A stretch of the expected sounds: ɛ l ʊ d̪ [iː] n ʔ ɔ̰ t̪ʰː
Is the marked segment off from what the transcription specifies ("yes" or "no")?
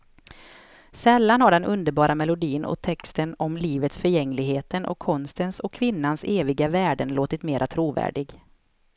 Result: no